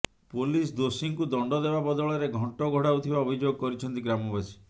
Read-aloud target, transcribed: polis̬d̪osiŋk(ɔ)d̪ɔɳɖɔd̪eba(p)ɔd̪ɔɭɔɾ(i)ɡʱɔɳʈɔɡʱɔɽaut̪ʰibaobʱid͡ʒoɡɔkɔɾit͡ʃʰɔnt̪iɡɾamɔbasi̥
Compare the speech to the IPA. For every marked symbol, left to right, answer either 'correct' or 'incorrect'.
incorrect: u, incorrect: b, incorrect: e

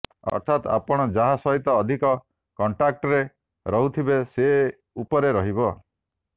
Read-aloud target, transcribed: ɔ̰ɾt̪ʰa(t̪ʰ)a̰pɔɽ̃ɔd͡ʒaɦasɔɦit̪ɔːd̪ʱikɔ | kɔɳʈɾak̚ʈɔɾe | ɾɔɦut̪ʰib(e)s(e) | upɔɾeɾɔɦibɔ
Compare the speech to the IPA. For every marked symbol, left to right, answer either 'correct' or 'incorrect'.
incorrect: t̪, correct, correct

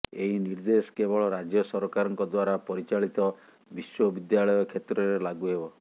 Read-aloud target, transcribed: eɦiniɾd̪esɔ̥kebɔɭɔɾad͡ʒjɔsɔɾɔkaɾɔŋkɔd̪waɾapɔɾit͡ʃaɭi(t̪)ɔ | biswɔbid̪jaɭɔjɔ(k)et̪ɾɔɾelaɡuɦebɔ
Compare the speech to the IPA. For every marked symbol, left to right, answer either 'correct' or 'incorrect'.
correct, incorrect: kʰ

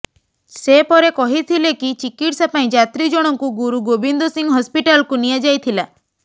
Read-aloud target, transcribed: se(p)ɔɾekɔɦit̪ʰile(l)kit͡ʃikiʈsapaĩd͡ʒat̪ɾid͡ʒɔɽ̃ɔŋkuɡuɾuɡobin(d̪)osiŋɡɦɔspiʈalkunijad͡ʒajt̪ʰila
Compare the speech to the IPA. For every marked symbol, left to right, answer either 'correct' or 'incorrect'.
correct, incorrect: none, correct

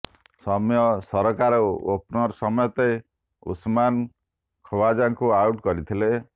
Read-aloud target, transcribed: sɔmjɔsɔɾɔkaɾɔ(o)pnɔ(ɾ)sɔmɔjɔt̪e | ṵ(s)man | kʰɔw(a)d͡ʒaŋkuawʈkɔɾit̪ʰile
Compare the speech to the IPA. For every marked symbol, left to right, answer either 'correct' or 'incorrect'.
correct, correct, correct, correct

